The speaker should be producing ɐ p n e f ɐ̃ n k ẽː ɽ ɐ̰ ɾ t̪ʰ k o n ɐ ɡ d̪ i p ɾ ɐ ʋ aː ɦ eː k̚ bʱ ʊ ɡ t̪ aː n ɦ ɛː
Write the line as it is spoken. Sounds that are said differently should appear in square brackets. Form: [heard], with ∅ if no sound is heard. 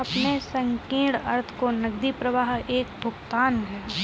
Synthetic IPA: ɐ p n e [s] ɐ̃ [ŋ] k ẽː ɽ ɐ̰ ɾ t̪ʰ k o n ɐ ɡ d̪ i p ɾ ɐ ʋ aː ɦ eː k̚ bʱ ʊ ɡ t̪ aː n ɦ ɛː